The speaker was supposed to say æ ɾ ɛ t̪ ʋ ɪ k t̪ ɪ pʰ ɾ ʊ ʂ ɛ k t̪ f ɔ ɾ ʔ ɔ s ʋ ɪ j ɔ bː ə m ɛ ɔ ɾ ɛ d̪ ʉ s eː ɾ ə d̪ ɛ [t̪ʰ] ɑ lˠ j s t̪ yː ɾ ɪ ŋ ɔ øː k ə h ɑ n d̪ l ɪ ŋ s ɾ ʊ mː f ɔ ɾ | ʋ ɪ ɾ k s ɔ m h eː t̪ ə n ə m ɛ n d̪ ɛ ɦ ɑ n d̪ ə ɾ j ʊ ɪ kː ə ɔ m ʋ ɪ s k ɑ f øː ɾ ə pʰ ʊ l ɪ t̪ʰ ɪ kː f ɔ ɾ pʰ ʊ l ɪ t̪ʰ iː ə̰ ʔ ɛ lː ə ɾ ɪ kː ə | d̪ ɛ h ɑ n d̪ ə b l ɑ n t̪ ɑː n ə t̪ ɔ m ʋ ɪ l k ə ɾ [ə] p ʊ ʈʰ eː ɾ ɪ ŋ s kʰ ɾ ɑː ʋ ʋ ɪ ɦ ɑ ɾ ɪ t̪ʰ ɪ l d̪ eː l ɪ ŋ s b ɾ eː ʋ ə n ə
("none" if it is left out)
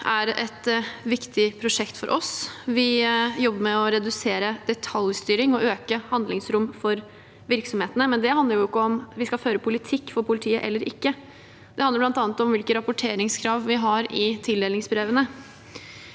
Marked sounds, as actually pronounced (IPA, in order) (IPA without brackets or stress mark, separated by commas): t̪ʰ, ɑ